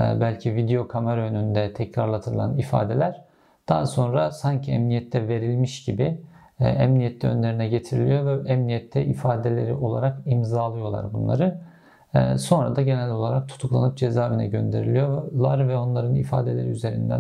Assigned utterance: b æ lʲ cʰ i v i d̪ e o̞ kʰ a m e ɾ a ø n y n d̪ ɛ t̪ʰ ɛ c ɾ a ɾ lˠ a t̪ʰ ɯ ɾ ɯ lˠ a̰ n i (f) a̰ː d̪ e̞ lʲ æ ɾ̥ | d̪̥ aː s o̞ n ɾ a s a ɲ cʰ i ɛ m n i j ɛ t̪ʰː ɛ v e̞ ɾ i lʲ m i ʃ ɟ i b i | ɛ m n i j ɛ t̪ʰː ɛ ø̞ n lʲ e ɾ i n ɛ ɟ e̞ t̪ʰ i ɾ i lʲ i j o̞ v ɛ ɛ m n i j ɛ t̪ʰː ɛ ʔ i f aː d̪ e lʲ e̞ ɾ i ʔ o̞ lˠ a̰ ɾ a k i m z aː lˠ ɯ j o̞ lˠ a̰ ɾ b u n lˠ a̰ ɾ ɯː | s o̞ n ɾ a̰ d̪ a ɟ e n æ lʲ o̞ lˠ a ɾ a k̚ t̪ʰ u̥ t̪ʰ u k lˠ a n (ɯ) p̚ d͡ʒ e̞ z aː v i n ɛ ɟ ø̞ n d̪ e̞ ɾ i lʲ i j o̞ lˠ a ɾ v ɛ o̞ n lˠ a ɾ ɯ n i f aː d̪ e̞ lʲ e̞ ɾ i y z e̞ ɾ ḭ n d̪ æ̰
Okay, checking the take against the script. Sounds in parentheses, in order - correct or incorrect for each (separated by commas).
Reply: correct, correct